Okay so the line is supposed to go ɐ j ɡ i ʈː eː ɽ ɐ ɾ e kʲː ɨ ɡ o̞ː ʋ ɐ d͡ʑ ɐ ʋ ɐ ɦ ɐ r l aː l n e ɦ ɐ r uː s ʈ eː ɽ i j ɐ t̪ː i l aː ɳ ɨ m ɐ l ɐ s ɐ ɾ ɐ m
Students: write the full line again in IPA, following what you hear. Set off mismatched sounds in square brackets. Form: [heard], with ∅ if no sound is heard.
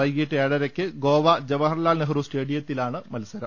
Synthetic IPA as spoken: ɐ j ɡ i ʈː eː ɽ ɐ ɾ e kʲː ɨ ɡ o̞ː ʋ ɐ d͡ʑ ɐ ʋ ɐ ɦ ɐ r l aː l n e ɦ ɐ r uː s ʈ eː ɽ i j ɐ t̪ː i l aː ɳ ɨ m ɐ l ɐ s ɐ ɾ ɐ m